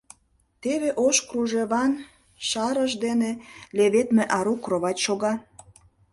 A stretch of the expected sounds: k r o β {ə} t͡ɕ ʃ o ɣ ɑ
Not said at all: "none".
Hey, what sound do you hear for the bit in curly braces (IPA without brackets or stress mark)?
ɑ